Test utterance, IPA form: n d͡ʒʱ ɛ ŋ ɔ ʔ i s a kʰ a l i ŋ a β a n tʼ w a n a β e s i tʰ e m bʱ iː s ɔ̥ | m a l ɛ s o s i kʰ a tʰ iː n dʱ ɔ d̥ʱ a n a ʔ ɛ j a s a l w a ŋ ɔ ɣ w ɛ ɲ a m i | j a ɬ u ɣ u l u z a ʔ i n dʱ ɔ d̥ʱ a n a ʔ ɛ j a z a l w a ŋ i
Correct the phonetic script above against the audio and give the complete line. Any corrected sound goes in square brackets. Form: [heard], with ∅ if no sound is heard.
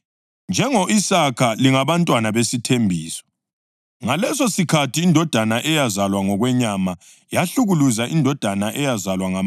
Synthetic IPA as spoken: n d͡ʒʱ ɛ ŋ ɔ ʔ i s a kʰ a l i ŋ a β a n tʼ w a n a β e s i tʰ e m bʱ iː s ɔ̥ | [ŋ] a l ɛ s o s i kʰ a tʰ iː n dʱ ɔ d̥ʱ a n a ʔ ɛ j a [z] a l w a ŋ ɔ ɣ w ɛ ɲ a m [a] | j a ɬ u ɣ u l u z a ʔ i n dʱ ɔ d̥ʱ a n a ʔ ɛ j a z a l w a ŋ [a]